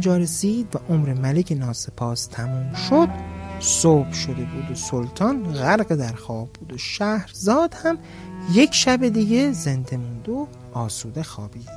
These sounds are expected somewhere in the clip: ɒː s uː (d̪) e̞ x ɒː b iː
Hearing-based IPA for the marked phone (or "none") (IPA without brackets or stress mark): d̪